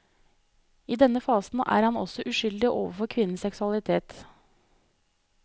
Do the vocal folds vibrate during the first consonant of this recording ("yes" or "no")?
yes